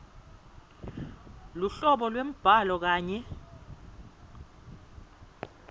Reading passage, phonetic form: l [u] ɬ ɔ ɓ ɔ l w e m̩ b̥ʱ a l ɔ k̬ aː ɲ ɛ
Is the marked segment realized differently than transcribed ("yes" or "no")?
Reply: no